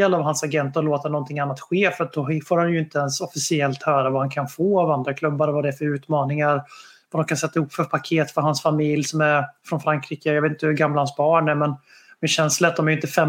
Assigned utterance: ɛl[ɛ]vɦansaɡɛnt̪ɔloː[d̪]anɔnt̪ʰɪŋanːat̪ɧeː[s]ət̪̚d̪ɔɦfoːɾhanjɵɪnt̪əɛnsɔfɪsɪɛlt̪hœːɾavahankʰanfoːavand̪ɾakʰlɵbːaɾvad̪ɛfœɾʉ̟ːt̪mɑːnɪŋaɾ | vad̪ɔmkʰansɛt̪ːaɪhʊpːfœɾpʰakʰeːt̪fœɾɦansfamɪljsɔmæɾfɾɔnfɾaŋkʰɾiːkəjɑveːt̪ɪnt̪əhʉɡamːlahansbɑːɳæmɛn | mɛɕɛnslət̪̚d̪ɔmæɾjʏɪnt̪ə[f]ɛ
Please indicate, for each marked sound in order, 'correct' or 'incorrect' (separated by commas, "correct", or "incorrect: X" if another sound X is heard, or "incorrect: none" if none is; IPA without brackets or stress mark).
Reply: incorrect: a, incorrect: t̪, incorrect: f, correct